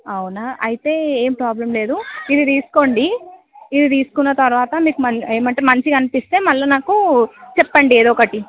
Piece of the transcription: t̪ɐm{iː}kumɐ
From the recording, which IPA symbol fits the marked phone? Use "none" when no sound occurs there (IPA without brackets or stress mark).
iː